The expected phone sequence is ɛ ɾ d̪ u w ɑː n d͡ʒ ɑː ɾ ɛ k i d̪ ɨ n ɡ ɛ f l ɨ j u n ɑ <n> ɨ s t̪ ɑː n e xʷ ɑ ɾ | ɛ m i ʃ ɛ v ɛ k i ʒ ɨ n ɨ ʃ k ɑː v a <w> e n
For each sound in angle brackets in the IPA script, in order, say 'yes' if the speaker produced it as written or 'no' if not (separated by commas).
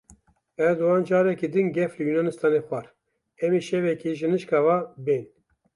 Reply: yes, no